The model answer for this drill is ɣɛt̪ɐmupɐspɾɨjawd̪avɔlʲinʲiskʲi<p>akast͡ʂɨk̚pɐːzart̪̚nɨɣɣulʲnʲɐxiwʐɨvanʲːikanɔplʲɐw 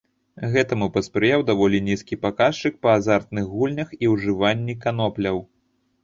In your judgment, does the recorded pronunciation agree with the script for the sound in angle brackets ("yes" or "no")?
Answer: yes